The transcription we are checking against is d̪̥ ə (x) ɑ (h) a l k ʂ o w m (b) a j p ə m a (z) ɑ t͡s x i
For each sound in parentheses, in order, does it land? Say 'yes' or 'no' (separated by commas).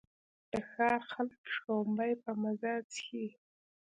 yes, no, yes, yes